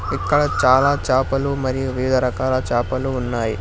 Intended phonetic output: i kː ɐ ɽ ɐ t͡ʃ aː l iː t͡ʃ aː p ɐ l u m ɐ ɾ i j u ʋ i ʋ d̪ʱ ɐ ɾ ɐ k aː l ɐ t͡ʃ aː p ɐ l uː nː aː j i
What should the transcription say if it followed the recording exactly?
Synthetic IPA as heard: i kː ɐ ɽ ɐ t͡ʃ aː l aː t͡ʃ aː p ɐ l u m ɐ ɾ i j u ʋ i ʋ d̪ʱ ɐ ɾ ɐ k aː l ɐ t͡ʃ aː p ɐ l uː nː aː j i